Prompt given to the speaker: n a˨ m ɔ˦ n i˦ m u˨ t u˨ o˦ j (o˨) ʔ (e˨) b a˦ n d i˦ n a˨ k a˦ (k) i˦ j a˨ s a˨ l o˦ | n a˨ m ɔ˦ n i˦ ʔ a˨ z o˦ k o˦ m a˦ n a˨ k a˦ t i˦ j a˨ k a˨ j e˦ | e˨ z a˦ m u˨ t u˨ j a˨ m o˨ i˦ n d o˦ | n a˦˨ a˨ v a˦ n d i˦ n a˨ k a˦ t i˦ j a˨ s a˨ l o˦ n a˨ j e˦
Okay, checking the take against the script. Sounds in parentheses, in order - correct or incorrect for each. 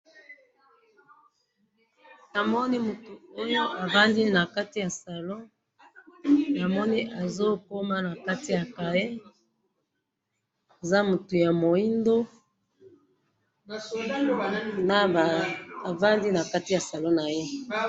incorrect: o˦, incorrect: a˨, incorrect: t

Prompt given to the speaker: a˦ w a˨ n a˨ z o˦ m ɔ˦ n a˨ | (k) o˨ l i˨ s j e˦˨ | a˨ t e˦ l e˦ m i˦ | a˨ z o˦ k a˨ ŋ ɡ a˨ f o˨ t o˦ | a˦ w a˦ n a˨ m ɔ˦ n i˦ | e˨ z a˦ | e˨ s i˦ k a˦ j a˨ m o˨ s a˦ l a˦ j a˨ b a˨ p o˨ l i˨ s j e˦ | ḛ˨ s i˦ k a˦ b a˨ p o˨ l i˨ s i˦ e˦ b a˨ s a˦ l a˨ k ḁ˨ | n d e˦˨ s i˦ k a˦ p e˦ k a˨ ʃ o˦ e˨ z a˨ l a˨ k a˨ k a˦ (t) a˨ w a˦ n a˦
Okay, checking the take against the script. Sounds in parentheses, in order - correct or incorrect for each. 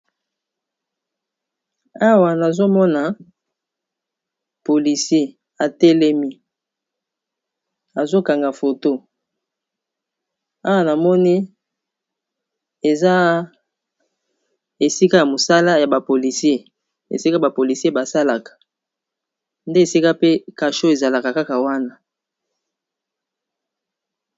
incorrect: p, incorrect: k

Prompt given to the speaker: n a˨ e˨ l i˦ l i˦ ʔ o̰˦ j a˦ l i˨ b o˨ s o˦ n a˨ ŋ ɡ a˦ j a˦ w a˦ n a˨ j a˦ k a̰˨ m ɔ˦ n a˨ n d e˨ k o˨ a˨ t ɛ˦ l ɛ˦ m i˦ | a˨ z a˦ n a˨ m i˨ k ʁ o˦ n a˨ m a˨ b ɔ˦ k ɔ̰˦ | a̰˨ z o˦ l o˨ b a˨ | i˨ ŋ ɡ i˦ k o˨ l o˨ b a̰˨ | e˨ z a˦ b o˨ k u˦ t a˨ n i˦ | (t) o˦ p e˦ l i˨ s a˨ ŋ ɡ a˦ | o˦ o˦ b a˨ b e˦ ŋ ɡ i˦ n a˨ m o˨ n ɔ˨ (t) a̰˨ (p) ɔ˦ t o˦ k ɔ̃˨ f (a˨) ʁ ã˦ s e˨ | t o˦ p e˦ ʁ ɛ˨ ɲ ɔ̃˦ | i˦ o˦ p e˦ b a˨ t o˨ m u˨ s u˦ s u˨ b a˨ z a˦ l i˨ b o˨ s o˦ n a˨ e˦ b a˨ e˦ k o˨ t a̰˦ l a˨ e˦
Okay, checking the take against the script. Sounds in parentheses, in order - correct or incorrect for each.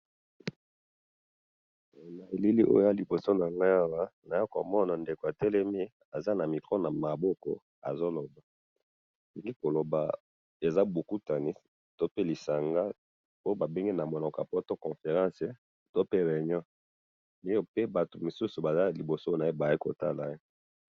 correct, incorrect: k, correct, incorrect: e˨

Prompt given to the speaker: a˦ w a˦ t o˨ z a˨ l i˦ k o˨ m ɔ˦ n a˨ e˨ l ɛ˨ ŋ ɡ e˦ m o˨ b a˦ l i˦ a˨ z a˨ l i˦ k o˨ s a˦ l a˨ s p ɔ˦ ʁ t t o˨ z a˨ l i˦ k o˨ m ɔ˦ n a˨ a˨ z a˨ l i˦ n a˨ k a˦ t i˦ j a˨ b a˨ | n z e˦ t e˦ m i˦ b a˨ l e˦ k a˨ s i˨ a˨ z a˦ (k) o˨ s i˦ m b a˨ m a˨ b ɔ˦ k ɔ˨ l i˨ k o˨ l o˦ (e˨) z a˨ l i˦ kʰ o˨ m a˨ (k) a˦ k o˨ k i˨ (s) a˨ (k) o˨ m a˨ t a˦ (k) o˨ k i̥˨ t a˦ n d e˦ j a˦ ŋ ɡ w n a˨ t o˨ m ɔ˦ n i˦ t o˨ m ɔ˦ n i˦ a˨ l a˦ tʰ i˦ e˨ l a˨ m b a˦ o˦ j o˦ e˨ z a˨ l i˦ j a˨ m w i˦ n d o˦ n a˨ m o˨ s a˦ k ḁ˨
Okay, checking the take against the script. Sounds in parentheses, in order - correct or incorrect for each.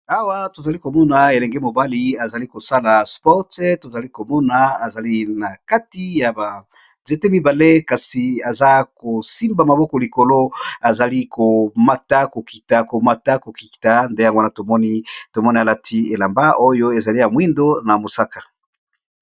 correct, incorrect: a˨, incorrect: t, incorrect: t, correct, correct

